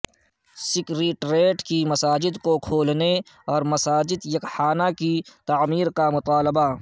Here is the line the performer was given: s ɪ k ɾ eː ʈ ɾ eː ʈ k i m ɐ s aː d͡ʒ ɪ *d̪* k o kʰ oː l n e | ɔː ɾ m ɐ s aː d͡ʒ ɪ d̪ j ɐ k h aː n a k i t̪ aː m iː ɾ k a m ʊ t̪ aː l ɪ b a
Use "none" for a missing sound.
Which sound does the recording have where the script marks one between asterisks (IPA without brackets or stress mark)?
d̪